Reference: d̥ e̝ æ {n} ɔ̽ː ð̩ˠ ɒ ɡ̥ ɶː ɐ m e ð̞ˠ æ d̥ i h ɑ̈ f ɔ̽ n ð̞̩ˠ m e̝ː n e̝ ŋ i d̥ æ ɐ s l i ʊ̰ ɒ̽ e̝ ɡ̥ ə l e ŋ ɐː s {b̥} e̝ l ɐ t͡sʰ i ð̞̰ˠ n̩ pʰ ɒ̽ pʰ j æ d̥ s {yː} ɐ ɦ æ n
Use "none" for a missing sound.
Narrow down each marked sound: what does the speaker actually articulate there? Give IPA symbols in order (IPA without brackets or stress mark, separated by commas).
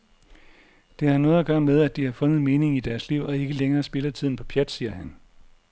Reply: n, b̥, iː